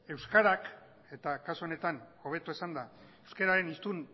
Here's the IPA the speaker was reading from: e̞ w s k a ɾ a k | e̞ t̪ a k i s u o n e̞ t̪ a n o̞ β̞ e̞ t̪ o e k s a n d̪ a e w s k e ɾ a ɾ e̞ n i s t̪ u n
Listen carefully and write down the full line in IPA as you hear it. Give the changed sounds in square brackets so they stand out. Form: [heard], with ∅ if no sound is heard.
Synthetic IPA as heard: e̞ w s k a ɾ a k | e̞ t̪ a k [a] s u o n e̞ t̪ a n o̞ β̞ e̞ t̪ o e [∅] s a n d̪ a e w s k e ɾ a ɾ e̞ n i s t̪ u n